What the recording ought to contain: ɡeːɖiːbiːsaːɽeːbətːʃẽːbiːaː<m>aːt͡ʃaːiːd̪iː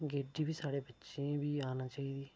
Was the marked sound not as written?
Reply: yes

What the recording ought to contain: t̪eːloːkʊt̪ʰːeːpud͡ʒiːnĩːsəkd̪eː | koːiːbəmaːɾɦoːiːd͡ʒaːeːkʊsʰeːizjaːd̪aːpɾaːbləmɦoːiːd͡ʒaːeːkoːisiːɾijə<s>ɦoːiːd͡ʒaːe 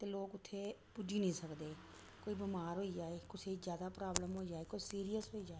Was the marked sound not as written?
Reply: no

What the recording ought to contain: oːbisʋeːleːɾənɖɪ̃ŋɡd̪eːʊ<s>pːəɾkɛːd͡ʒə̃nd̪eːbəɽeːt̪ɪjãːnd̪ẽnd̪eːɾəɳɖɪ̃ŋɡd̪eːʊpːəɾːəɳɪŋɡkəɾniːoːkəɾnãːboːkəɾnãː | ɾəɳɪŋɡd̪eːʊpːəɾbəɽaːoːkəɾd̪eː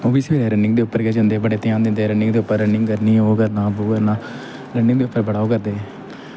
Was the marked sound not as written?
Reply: yes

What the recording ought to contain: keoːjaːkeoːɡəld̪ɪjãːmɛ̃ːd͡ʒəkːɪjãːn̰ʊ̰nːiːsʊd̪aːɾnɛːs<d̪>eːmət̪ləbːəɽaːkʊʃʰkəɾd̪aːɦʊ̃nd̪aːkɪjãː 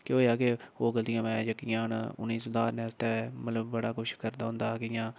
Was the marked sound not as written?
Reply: yes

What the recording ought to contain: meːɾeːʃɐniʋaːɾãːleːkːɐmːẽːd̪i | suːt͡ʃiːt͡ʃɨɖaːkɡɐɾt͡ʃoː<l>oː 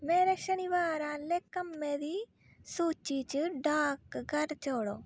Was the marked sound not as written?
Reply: yes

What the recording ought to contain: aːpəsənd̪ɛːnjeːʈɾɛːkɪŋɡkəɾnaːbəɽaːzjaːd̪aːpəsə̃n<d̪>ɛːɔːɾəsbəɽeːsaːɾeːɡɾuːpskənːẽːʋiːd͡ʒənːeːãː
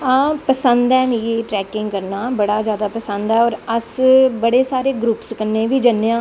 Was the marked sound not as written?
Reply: no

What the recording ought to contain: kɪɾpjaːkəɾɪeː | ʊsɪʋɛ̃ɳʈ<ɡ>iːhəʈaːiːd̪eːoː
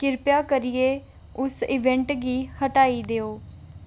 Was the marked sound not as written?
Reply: no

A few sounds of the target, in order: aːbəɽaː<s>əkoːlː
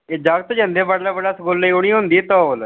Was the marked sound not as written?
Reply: no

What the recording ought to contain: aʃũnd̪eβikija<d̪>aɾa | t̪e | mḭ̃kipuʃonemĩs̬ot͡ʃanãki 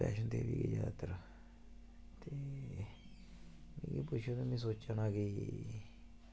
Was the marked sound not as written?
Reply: yes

